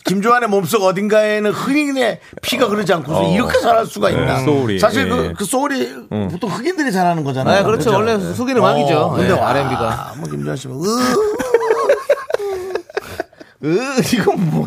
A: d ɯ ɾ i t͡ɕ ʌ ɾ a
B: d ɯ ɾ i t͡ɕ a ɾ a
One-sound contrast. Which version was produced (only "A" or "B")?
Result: B